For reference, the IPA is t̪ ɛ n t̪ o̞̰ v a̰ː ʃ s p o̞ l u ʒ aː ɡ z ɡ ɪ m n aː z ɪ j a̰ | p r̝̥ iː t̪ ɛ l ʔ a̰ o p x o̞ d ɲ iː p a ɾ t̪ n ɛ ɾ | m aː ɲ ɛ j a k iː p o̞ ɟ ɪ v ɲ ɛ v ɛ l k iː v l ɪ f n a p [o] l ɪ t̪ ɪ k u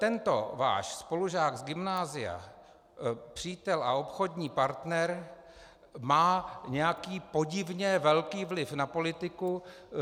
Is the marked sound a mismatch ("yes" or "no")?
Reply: no